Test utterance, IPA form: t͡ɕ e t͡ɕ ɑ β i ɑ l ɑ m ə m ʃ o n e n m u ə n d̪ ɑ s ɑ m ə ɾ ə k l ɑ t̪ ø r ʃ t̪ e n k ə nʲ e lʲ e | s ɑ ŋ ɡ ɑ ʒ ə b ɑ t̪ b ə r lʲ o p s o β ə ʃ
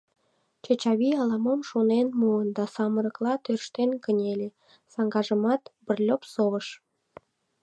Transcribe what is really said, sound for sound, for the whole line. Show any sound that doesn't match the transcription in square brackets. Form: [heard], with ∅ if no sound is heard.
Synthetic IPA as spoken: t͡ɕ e t͡ɕ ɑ β i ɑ l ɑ m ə m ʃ o n e n m u ə n d̪ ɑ s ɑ m ə ɾ ə k l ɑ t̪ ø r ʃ t̪ e n k ə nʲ e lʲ e | s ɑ ŋ ɡ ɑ ʒ ə [m] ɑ t̪ b ə r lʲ o p s o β ə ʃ